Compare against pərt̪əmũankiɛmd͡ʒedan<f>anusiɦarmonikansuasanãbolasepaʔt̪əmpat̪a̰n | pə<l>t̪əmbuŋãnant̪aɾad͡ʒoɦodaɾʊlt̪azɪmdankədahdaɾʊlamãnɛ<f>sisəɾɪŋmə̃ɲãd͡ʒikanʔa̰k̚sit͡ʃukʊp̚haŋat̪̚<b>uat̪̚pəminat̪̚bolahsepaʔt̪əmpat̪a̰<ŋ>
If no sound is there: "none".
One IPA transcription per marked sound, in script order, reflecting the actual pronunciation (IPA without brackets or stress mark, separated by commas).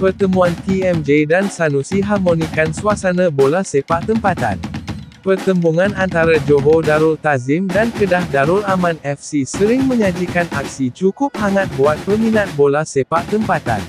s, r, f, b, n